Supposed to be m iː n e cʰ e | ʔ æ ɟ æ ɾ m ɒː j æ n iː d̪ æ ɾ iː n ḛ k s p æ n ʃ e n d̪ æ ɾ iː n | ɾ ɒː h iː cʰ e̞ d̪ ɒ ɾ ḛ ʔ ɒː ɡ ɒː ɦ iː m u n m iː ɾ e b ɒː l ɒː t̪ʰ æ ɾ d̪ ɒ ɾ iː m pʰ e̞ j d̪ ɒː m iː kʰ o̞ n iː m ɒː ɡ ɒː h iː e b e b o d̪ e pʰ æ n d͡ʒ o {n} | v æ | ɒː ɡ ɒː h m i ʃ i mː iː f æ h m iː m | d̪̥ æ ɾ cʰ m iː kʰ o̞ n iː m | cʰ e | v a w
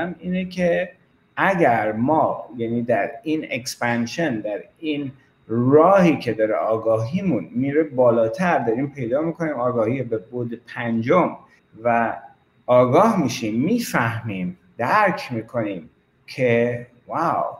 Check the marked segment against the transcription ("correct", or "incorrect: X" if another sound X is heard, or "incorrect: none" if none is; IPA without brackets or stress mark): incorrect: m